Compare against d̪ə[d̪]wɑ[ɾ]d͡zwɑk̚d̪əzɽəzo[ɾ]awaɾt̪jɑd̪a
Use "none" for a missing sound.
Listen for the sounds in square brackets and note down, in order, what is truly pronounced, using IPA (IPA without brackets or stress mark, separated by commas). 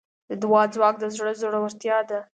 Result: d̪, none, ɽ